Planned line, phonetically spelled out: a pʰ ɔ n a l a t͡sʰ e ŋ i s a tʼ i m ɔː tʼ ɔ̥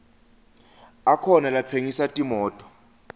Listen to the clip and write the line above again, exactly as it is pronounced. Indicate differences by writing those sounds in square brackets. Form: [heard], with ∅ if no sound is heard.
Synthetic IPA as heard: a [kʰ] ɔ n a l a t͡sʰ e ŋ i s a tʼ i m ɔː tʼ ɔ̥